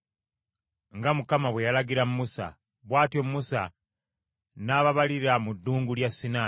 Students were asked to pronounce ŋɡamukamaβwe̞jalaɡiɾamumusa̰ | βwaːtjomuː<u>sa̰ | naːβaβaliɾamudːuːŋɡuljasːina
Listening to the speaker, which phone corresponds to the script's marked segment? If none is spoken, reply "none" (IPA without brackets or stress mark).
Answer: u